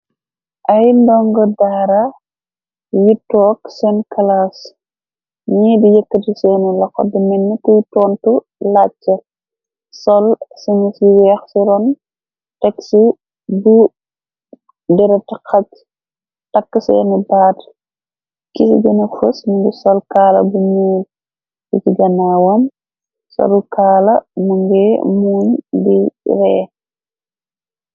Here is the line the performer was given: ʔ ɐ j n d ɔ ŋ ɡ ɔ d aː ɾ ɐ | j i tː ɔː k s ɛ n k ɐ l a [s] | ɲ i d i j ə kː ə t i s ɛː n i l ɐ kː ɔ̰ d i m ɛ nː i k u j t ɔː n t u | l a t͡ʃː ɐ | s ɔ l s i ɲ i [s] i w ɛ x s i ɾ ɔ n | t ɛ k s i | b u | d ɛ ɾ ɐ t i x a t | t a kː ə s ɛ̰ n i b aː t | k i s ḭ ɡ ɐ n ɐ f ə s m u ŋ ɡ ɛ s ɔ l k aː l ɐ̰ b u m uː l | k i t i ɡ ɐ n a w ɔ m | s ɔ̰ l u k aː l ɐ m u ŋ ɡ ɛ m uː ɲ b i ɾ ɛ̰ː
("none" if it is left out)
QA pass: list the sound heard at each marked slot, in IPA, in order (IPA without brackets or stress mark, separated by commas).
s, s